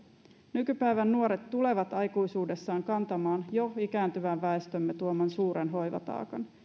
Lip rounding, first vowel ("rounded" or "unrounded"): rounded